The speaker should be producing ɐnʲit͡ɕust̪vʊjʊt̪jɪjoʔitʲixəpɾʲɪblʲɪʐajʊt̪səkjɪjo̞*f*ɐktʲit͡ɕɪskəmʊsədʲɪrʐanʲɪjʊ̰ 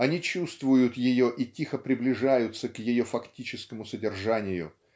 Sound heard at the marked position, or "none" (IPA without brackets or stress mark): f